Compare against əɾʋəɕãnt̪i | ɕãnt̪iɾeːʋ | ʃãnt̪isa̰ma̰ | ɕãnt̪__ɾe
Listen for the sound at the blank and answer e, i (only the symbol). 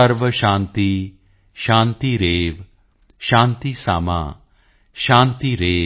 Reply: i